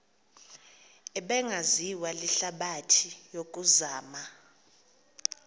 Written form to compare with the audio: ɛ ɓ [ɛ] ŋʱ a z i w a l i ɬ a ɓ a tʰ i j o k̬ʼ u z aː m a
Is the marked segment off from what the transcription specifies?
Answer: no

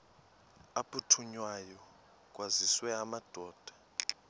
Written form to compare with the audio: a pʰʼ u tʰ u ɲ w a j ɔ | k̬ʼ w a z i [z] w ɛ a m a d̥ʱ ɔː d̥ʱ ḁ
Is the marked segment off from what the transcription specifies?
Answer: yes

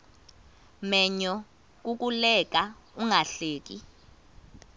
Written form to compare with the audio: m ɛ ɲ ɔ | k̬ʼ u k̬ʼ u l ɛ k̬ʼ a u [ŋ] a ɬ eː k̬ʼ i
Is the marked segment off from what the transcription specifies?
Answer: no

